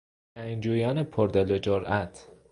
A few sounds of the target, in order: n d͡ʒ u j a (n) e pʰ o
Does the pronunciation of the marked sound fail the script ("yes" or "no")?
no